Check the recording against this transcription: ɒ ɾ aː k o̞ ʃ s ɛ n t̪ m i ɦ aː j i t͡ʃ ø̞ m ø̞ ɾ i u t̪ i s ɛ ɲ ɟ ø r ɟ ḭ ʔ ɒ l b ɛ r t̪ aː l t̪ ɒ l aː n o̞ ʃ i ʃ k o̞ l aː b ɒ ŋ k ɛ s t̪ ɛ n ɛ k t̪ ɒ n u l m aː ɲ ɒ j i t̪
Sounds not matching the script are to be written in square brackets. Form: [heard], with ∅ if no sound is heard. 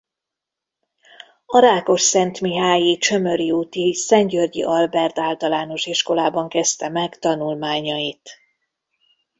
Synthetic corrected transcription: ɒ ɾ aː k o̞ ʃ s ɛ n t̪ m i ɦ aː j i t͡ʃ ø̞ m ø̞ ɾ i u t̪ i s ɛ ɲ ɟ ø r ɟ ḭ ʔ ɒ l b ɛ r t̪ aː l t̪ ɒ l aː n o̞ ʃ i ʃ k o̞ l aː b ɒ ŋ k ɛ s t̪ ɛ [m] ɛ k t̪ ɒ n u l m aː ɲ ɒ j i t̪